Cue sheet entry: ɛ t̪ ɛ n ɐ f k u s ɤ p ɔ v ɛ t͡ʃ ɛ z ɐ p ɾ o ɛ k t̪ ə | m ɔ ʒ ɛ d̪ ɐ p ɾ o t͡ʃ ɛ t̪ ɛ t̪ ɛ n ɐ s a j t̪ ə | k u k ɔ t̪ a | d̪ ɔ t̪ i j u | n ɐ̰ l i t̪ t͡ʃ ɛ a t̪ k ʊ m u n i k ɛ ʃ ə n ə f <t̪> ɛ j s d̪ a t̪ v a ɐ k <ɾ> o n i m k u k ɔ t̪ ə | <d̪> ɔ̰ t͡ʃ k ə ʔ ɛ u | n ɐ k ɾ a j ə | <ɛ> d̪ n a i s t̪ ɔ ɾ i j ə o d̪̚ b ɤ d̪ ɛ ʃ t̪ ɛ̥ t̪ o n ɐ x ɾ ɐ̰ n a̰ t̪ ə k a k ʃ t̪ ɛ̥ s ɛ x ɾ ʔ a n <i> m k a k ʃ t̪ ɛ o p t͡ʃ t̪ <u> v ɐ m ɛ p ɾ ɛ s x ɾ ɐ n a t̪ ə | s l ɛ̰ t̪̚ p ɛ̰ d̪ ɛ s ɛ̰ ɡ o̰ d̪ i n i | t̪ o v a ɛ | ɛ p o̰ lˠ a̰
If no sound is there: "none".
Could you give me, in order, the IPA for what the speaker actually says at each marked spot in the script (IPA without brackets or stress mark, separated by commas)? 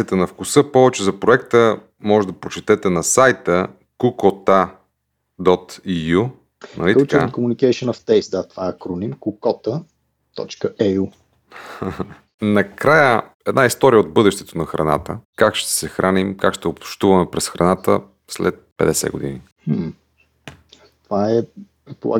t̪, ɾ, t̪, ɛ, i, u